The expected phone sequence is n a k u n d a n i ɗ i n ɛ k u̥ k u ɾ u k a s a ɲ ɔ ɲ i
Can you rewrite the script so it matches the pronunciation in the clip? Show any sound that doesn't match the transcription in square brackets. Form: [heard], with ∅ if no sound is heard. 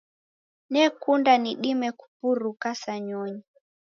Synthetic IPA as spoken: n [ɛ] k u n d a n i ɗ i [m] ɛ k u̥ [p] u ɾ u k a s a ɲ ɔ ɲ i